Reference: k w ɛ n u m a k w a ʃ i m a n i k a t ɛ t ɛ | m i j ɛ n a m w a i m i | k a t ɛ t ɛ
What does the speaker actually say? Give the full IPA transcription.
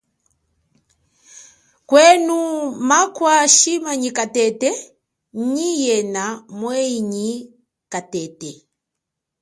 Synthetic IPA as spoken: k w ɛ n u m a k w a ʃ i m a ɲ i k a t ɛ t ɛ | ɲ i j ɛ n a m w ɛ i ɲ i | k a t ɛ t ɛ